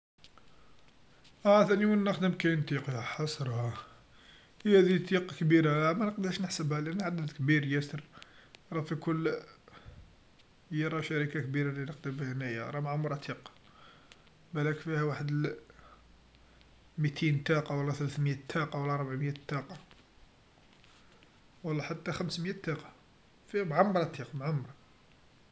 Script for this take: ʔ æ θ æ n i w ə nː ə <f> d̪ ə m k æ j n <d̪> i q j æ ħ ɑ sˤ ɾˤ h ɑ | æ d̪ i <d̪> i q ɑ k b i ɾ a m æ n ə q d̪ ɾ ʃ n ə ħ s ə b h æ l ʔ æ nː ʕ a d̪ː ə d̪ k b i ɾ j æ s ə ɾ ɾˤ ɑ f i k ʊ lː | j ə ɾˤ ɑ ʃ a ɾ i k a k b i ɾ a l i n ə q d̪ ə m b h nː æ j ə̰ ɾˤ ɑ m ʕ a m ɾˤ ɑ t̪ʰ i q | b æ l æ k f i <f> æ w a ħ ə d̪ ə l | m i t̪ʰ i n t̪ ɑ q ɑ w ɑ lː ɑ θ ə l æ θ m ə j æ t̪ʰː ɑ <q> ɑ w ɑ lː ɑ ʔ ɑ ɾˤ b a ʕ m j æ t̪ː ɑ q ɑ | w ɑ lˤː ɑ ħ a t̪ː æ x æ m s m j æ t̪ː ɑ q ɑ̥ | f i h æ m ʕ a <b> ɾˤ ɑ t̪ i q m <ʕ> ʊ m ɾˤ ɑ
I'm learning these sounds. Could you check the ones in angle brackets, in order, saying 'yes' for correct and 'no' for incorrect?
no, no, no, no, yes, no, yes

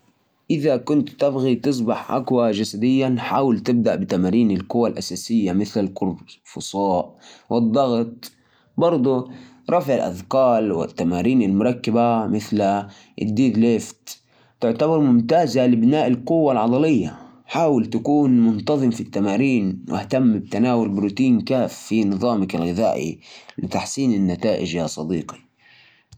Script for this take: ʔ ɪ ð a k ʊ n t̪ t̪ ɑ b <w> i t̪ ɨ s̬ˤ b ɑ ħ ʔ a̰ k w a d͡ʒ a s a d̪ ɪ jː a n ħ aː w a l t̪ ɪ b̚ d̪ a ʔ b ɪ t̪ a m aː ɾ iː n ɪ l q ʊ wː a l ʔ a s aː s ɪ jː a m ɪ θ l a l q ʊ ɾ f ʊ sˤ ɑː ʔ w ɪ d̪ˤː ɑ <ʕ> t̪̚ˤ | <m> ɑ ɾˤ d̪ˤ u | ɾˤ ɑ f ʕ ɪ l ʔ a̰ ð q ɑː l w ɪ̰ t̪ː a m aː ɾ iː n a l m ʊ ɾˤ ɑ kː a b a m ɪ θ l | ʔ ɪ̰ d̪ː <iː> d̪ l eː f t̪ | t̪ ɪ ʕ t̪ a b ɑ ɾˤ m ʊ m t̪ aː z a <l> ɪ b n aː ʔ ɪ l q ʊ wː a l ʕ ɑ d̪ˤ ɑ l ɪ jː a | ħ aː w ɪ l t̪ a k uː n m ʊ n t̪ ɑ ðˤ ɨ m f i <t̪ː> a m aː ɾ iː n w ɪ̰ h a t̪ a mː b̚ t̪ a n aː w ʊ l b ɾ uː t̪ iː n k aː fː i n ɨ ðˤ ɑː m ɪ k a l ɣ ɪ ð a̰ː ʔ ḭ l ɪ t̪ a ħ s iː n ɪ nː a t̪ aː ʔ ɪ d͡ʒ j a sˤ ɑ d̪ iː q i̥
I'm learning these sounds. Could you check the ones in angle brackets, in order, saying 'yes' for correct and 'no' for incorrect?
no, no, no, yes, yes, yes

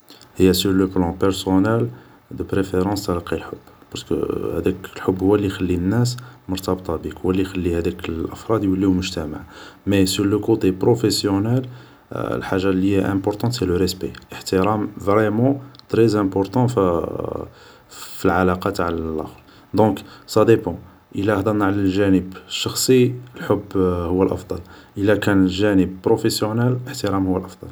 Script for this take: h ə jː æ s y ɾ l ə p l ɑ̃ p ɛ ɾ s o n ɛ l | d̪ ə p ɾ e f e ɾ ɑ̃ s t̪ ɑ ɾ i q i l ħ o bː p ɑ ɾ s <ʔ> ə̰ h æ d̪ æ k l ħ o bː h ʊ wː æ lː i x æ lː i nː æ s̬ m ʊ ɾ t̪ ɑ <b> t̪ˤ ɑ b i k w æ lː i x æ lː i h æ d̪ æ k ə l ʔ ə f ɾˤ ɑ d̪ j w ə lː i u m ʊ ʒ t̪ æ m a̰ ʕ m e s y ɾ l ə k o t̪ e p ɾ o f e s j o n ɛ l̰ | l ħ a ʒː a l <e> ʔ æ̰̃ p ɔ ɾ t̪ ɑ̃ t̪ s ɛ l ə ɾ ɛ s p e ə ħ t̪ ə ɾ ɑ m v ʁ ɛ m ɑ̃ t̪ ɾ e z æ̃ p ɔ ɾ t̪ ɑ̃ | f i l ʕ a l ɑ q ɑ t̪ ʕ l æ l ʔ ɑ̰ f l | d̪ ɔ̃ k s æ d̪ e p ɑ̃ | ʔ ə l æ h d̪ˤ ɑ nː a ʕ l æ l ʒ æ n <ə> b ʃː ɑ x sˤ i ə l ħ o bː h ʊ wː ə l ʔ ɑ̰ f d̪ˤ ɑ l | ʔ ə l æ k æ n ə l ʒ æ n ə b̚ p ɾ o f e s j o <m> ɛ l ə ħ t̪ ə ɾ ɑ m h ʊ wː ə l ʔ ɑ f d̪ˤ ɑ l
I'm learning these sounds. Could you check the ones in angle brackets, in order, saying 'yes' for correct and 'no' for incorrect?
no, yes, no, yes, no

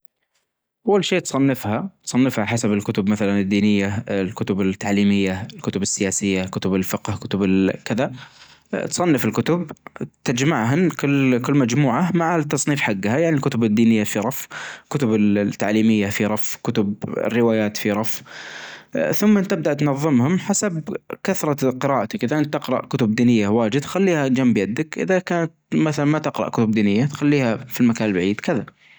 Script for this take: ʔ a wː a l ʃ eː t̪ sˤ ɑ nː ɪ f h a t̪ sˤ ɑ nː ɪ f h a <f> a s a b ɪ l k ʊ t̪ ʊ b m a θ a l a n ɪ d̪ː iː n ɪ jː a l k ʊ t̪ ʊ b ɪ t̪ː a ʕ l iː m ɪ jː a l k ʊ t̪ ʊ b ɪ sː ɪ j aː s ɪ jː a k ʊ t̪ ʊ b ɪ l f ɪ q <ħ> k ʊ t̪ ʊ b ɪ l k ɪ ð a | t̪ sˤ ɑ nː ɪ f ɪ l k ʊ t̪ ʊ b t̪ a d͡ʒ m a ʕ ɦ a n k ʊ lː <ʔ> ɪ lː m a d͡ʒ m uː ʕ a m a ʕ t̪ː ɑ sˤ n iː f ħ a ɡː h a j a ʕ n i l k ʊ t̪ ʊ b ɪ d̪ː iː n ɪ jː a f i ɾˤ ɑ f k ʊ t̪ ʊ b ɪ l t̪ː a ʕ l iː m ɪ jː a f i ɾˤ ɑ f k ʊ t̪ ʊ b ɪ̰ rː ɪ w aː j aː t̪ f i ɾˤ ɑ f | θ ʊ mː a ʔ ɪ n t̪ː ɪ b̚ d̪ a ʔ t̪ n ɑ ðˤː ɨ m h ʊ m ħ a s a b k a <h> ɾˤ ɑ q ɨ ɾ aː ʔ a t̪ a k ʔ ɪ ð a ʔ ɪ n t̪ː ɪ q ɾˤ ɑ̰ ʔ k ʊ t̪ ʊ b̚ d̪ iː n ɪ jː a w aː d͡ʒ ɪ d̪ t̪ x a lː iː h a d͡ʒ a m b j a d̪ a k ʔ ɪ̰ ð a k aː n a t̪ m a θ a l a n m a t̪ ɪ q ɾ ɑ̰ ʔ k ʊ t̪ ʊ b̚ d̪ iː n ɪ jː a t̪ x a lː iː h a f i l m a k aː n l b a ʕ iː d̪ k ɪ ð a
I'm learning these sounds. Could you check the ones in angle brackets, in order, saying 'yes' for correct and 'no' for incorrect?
no, no, no, no

